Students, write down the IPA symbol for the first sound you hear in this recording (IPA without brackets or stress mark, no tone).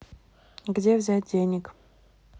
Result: ɡ